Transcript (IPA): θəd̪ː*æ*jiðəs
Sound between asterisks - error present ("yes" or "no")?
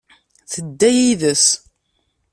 no